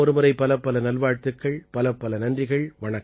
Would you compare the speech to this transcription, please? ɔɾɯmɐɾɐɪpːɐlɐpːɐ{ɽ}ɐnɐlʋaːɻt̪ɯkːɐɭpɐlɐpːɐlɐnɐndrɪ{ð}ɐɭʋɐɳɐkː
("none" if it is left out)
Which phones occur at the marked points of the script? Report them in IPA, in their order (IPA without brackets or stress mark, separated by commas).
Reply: l, ɣ